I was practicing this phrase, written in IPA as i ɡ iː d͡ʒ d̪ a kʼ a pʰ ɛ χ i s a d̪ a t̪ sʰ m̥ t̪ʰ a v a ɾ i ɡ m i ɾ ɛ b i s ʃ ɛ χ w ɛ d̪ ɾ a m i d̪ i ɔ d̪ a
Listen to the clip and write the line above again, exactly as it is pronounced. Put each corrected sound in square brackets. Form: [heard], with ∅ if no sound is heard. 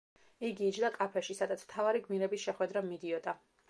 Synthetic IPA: i ɡ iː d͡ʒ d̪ a kʼ a pʰ ɛ [ʃ] i s a d̪ a t̪ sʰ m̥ t̪ʰ a v a ɾ i ɡ m i ɾ ɛ b i s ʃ ɛ χ w ɛ d̪ ɾ a m i d̪ i ɔ d̪ a